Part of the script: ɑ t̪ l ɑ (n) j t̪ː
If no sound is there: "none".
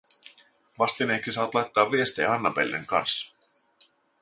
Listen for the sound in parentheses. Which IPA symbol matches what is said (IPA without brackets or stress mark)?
none